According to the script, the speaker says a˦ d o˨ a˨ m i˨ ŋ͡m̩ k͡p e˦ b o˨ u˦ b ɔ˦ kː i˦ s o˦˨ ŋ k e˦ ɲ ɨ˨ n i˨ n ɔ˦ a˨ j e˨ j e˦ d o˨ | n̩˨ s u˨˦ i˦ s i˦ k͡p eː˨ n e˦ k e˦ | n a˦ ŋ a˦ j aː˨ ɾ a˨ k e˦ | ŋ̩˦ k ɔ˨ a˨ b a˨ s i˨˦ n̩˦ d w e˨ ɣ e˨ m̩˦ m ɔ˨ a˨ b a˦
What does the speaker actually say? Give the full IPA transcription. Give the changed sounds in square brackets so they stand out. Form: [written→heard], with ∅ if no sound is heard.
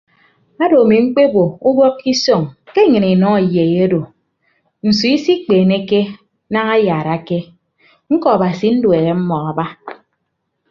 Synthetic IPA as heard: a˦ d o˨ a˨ m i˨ ŋ͡m̩ k͡p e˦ b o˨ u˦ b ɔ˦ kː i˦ s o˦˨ ŋ k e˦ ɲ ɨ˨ n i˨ n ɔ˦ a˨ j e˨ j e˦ d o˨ | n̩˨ s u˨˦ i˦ s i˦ k͡p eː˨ n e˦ k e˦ | n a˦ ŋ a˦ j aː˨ ɾ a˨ k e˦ | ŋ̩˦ k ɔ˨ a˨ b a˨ s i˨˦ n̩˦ d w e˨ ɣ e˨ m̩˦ m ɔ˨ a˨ b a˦